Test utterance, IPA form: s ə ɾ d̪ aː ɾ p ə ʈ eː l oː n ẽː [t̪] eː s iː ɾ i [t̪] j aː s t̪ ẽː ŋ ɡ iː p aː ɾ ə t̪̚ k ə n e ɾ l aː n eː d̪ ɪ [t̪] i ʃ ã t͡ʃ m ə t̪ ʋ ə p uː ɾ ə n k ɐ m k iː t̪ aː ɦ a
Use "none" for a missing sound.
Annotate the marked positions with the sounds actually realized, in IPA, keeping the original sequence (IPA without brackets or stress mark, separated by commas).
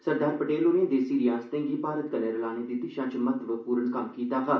d̪, none, t̪